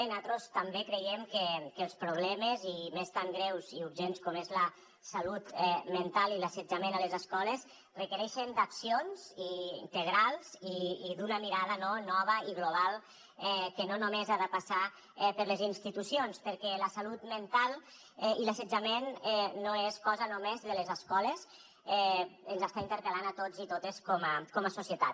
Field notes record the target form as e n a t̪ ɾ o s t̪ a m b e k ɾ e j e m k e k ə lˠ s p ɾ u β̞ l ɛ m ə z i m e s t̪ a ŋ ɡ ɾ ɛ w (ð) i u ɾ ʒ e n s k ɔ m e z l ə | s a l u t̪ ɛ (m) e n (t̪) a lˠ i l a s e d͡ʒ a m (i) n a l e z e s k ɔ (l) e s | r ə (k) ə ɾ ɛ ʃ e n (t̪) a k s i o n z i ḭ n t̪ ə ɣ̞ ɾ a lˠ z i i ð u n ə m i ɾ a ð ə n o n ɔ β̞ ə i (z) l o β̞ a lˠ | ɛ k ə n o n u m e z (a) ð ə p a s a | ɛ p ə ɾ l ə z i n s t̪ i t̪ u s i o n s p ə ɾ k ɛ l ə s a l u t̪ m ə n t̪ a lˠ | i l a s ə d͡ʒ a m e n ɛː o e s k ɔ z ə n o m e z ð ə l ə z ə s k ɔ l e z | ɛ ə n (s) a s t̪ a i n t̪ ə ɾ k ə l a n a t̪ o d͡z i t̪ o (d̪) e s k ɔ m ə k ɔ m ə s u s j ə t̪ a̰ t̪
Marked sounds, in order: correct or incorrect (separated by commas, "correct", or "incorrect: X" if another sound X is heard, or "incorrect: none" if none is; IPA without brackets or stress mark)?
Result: incorrect: z, correct, correct, incorrect: e, correct, correct, incorrect: d̪, incorrect: ɣ, correct, incorrect: z, incorrect: t̪